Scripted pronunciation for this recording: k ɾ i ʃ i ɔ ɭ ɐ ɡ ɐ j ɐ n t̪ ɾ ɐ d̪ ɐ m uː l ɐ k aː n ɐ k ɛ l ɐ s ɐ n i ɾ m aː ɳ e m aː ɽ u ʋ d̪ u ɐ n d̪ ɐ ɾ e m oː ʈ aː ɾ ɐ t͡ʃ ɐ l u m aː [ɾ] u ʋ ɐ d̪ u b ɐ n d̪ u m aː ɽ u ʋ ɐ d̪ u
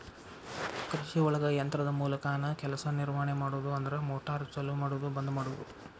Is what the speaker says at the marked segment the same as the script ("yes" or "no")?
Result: no